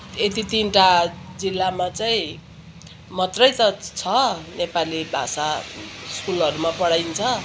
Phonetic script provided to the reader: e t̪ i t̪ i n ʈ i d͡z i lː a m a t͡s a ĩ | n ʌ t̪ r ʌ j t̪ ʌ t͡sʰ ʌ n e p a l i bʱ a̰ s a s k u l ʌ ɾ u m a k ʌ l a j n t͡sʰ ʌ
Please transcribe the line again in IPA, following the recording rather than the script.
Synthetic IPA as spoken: e t̪ i t̪ i n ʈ a d͡z i lː a m a t͡s a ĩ | m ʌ t̪ r ʌ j t̪ ʌ t͡sʰ ʌ n e p a l i bʱ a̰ s a s k u l ʌ ɾ u m a p ʌ ɽ a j n t͡sʰ ʌ